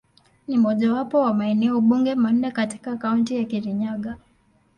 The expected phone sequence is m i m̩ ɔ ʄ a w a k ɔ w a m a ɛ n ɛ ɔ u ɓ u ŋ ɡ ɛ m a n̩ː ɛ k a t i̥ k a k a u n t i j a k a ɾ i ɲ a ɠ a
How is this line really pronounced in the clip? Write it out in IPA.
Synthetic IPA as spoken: n i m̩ ɔ ʄ a w a p ɔ w a m a ɛ n ɛ ɔ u ɓ u ŋ ɡ ɛ m a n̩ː ɛ k a t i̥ k a k a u n t i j a k i ɾ i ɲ a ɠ a